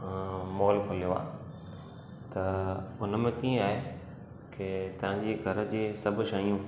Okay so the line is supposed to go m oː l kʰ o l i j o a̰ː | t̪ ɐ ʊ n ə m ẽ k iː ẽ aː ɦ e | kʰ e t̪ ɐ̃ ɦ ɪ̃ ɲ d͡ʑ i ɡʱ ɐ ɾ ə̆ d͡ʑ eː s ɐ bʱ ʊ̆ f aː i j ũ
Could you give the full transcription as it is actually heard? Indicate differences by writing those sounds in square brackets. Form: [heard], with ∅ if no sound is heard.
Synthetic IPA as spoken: m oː l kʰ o l i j o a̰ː | t̪ ɐ ʊ n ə m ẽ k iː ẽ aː ɦ e | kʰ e t̪ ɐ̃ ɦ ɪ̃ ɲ d͡ʑ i ɡʱ ɐ ɾ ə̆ d͡ʑ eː s ɐ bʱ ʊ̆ [ʃ] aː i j ũ